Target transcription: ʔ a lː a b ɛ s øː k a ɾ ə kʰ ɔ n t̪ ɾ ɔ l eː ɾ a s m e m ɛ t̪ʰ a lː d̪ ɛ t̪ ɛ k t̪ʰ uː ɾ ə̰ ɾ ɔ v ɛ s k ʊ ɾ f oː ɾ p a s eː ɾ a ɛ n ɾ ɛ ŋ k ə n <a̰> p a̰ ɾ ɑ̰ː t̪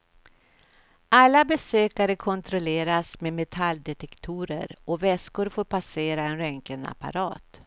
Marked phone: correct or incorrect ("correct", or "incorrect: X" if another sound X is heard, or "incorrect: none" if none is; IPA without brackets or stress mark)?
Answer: correct